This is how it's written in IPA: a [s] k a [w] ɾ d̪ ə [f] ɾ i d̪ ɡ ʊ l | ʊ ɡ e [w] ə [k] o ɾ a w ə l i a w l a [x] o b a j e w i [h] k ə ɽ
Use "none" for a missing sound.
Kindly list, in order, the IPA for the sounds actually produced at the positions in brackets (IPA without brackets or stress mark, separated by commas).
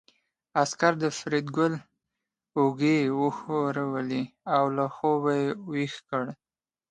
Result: s, none, f, w, x, x, x